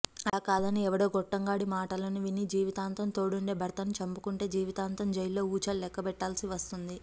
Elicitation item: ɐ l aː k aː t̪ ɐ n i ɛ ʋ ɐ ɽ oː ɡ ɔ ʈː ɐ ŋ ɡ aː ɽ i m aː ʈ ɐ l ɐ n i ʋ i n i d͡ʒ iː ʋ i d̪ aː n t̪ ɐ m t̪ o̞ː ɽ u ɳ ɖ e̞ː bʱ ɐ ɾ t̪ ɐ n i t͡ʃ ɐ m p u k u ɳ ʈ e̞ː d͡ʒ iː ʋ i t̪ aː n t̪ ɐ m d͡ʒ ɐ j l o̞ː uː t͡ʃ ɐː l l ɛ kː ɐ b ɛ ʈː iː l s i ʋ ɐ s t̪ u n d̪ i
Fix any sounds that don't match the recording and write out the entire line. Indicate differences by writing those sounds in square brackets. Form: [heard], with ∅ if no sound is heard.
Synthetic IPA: ɐ l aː k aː [d̪] ɐ n i ɛ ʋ ɐ ɽ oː ɡ ɔ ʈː ɐ ŋ ɡ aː ɽ i m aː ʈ ɐ l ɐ n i ʋ i n i d͡ʒ iː ʋ i [t̪] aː n t̪ ɐ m t̪ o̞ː ɽ u ɳ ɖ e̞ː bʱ ɐ ɾ t̪ ɐ n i t͡ʃ ɐ m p u k u ɳ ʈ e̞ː d͡ʒ iː ʋ i t̪ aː n t̪ ɐ m d͡ʒ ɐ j l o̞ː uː t͡ʃ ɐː l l ɛ kː ɐ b ɛ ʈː [aː] l s i ʋ ɐ s t̪ u n d̪ i